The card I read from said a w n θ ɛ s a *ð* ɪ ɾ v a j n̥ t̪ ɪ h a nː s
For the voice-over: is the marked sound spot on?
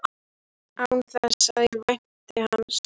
yes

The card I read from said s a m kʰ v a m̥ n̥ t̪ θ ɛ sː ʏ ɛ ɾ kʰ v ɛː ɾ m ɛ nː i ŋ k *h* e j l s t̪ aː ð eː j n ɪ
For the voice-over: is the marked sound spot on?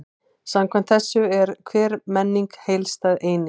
yes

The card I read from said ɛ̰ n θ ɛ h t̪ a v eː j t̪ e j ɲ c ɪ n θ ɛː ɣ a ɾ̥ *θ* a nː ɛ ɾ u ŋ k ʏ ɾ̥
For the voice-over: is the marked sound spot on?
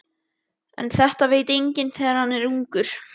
no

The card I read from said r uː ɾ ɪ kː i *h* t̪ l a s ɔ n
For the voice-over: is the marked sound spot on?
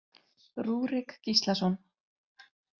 no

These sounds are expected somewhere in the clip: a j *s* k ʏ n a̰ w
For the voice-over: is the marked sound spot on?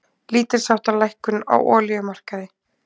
no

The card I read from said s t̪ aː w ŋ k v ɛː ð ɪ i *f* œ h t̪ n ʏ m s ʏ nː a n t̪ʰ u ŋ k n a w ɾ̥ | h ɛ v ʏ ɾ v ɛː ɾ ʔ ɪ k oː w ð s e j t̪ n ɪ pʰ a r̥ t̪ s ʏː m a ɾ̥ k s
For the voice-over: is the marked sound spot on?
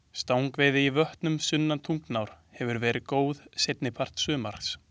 no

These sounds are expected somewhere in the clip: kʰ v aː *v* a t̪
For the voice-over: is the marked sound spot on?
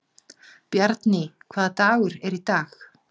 no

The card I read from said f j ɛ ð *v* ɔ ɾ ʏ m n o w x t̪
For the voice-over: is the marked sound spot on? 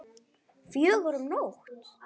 yes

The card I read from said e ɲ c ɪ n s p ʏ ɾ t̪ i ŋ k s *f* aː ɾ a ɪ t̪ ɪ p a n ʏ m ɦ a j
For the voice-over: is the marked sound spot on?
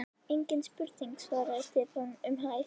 no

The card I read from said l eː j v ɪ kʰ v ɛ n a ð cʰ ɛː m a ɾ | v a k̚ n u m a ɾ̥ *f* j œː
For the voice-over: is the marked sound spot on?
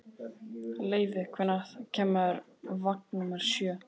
no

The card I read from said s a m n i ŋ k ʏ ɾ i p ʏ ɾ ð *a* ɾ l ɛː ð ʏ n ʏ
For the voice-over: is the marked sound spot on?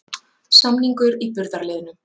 yes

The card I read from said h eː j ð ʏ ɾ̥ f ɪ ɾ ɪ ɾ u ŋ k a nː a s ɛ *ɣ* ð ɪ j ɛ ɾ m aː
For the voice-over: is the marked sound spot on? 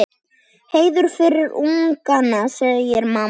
yes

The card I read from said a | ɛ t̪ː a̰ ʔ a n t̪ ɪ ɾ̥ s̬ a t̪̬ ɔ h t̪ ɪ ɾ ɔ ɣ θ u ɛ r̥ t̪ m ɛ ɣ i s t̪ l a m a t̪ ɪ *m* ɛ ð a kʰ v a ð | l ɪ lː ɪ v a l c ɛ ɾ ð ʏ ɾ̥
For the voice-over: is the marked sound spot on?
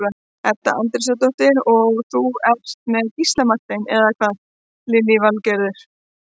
no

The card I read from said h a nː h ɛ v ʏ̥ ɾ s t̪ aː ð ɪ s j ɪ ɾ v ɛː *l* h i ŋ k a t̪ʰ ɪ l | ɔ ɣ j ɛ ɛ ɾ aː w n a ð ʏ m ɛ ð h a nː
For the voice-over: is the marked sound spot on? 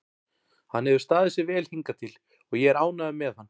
yes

